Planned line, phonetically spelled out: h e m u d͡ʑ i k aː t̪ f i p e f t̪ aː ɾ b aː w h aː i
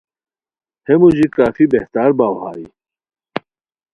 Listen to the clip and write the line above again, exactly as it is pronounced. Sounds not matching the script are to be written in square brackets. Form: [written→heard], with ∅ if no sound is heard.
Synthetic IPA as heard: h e m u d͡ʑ i k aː [t̪→∅] f i [p→b] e [f→h] t̪ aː ɾ b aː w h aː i